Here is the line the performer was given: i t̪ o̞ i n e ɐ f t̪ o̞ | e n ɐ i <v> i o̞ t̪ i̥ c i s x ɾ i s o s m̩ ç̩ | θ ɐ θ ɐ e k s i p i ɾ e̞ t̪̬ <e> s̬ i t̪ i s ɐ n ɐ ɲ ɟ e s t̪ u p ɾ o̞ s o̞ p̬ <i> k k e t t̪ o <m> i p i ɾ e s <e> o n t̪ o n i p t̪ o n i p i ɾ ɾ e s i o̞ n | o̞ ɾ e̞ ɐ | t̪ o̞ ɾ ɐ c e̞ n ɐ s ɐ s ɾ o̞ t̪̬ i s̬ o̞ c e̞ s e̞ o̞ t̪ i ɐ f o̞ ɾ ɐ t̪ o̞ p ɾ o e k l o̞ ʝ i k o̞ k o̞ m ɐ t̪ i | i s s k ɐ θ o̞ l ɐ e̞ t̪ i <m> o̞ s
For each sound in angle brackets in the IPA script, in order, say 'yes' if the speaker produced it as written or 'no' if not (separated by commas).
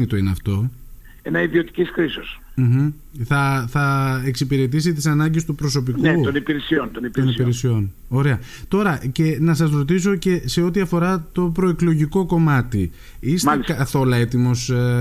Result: no, no, yes, no, no, yes